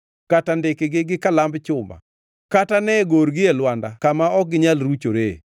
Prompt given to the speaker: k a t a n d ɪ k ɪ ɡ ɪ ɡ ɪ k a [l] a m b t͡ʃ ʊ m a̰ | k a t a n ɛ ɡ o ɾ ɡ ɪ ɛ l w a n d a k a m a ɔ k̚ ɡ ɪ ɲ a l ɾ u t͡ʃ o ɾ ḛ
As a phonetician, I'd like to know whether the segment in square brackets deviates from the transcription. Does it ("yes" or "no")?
no